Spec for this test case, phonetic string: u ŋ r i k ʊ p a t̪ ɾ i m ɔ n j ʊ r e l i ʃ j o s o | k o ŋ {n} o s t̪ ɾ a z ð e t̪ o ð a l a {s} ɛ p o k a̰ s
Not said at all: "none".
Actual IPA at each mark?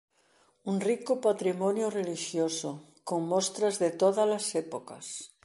m, s

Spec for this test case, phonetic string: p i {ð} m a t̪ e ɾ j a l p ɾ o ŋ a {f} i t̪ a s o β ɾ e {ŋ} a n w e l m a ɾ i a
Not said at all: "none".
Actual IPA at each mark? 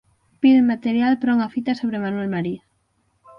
ð, f, m

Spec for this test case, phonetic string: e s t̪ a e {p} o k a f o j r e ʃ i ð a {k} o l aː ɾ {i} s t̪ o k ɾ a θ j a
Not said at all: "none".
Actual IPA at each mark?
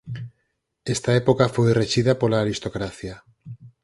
p, p, i

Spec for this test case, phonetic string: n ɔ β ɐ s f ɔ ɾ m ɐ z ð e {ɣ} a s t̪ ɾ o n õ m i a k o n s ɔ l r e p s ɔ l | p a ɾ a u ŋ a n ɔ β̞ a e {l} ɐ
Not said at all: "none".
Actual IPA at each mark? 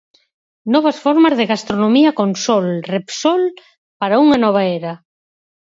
ɣ, ɾ

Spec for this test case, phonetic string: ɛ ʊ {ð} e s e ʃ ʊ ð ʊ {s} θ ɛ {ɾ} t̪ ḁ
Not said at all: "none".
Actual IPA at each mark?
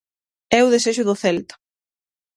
ð, none, l

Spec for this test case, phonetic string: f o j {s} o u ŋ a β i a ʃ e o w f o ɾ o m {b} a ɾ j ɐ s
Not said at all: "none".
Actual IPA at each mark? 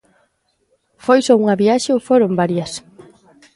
s, b

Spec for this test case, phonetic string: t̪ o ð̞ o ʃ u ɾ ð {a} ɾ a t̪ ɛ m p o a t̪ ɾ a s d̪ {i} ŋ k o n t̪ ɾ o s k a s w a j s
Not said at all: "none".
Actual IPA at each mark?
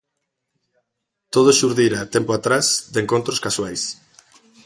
i, e

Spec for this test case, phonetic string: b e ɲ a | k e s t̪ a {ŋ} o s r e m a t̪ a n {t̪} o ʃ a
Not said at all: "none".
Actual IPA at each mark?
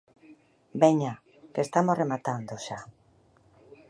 m, d̪

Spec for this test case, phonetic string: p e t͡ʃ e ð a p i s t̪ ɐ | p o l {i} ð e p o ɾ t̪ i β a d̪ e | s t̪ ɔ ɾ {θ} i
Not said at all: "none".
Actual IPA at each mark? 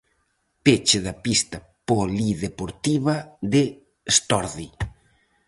i, ð

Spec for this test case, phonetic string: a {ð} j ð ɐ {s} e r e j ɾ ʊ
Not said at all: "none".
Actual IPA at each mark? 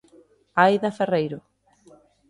none, f

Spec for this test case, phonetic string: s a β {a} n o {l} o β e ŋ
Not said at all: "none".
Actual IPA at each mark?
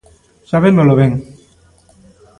e, l

